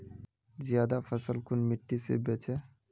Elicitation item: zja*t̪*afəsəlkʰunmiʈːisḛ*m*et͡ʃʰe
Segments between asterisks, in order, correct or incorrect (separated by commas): incorrect, incorrect